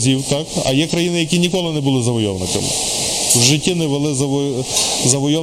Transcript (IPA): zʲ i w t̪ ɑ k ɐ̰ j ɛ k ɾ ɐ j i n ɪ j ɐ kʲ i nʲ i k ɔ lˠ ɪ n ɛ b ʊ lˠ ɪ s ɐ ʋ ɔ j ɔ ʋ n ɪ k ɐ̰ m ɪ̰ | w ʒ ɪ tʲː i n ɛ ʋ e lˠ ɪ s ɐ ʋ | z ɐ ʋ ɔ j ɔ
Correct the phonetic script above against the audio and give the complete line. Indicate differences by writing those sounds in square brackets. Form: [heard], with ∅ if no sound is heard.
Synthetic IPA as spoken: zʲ i w t̪ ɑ k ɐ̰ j ɛ k ɾ ɐ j i n ɪ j ɐ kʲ i nʲ i k ɔ lˠ ɪ n ɛ b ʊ lˠ ɪ [z] ɐ ʋ ɔ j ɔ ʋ n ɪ k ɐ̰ m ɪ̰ | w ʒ ɪ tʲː i n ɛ ʋ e lˠ ɪ [z] ɐ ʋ | z ɐ ʋ ɔ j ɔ